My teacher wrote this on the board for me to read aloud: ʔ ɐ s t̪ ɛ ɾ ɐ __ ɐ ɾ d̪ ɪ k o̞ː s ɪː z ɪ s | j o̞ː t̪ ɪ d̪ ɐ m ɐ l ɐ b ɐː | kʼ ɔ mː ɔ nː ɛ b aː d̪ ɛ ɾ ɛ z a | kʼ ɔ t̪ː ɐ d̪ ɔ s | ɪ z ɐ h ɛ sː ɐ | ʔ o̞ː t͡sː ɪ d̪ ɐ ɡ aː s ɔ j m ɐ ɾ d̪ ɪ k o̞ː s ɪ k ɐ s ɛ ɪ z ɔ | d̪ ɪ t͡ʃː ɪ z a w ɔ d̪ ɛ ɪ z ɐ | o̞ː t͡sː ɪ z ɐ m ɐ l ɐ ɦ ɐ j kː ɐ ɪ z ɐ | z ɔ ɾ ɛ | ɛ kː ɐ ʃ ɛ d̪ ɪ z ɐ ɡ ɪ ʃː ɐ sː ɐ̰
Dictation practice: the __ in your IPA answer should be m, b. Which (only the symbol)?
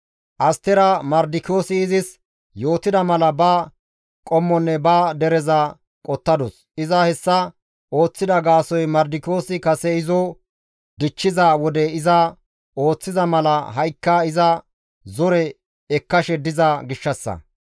m